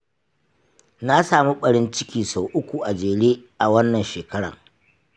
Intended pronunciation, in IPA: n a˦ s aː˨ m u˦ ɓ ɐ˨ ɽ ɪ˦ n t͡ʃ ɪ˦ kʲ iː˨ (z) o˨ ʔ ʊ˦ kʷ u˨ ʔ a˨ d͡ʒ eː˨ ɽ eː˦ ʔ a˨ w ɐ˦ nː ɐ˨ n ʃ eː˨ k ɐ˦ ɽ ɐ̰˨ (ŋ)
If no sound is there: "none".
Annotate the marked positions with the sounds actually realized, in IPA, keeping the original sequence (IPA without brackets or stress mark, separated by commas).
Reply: s, ŋ